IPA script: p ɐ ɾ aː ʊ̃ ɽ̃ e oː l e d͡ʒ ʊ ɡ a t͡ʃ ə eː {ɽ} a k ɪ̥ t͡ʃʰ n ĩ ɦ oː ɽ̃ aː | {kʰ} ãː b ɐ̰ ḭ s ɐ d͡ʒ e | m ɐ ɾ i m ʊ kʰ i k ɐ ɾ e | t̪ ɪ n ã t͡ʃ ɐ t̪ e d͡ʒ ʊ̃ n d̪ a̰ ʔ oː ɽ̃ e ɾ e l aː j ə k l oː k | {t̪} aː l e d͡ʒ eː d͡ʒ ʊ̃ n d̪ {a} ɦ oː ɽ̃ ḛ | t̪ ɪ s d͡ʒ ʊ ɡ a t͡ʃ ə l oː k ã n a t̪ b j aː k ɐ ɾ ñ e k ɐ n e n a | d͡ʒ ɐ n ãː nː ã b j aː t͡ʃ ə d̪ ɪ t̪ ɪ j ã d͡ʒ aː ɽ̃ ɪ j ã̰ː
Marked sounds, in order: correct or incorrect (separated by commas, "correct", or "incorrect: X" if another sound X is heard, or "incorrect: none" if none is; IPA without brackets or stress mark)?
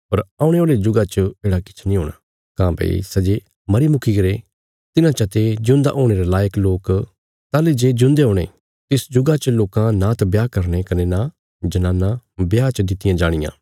correct, incorrect: k, correct, incorrect: e